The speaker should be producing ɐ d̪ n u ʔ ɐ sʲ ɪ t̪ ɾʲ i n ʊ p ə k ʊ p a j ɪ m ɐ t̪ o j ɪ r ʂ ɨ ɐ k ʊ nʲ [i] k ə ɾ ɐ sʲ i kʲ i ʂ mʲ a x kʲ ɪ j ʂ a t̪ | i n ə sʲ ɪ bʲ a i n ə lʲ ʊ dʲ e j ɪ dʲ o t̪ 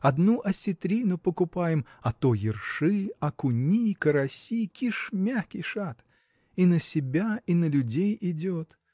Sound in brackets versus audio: correct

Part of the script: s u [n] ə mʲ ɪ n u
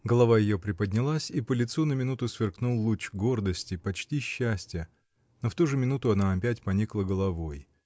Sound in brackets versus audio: correct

